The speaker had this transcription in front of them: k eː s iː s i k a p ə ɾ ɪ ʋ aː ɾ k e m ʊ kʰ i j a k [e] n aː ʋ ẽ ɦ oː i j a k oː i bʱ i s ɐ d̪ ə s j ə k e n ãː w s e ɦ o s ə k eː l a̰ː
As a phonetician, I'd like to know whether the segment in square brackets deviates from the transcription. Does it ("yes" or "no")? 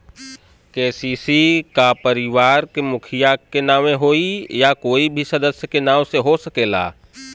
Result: no